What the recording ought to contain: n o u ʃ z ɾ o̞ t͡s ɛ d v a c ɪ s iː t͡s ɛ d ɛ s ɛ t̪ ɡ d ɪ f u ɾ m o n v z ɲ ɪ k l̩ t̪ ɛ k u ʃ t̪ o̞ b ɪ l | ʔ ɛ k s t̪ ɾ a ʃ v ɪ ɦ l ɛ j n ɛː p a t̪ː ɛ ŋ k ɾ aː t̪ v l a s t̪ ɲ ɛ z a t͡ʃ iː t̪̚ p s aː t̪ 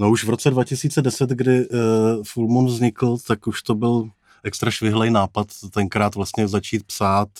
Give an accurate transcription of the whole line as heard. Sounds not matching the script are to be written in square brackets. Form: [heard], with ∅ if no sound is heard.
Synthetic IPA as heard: n o u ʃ [v] ɾ o̞ t͡s ɛ d v a c ɪ s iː t͡s ɛ d ɛ s ɛ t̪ ɡ d ɪ f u [l] m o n v z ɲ ɪ k l̩ t̪ [a] k u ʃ t̪ o̞ b ɪ l | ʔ ɛ k s t̪ ɾ a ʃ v ɪ ɦ l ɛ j n [aː] p a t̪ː ɛ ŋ k ɾ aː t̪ v l a s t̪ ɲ ɛ z a t͡ʃ iː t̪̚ p s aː t̪